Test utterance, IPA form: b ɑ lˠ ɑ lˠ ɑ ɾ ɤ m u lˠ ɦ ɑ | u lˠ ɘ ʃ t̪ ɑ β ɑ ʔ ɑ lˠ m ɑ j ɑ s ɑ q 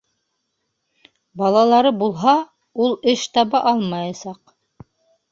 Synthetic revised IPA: b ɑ lˠ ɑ lˠ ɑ ɾ ɤ b u lˠ ɦ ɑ | u lˠ ɘ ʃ t̪ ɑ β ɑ ʔ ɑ lˠ m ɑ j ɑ s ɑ q